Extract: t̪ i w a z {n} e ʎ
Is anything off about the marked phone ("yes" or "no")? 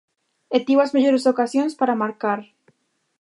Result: yes